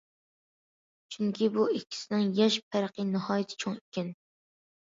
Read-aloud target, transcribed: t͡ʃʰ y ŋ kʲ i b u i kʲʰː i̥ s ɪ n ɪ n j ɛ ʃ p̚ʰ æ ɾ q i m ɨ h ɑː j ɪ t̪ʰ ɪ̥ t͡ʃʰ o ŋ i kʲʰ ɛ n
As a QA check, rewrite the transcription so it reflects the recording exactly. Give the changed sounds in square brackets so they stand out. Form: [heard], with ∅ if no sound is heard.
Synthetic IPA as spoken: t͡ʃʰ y ŋ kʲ i b u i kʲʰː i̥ s ɪ n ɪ [ŋ] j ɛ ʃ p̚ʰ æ ɾ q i [n] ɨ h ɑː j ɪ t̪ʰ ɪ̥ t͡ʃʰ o ŋ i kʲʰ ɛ n